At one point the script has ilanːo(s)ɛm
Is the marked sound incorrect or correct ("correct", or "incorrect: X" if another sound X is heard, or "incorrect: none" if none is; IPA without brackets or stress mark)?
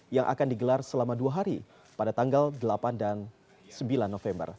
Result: incorrect: f